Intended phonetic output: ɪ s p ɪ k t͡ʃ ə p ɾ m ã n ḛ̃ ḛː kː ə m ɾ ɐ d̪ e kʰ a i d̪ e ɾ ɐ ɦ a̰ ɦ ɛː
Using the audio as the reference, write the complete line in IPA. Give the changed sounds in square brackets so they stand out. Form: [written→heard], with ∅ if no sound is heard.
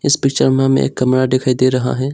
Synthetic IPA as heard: ɪ s p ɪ k t͡ʃ ə [p→∅] ɾ m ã [n→m] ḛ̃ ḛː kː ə m ɾ [ɐ→a] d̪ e kʰ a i d̪ e ɾ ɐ ɦ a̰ ɦ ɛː